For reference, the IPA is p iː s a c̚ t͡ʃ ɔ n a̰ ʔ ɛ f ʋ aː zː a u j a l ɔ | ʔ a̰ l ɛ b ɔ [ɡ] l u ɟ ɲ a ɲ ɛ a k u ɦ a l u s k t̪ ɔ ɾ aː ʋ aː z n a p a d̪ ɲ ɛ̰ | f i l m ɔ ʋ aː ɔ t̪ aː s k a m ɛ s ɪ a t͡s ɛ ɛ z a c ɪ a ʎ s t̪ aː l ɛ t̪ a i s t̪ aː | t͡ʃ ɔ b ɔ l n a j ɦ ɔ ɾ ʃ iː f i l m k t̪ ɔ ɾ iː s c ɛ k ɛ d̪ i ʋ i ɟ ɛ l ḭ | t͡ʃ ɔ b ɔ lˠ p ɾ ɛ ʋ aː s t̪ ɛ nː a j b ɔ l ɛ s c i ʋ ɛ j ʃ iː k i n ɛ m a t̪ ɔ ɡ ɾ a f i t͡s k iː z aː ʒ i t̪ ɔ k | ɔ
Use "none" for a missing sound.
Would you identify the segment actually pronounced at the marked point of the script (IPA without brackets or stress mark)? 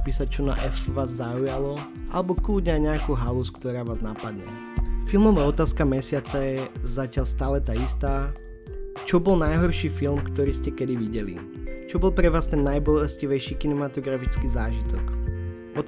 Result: k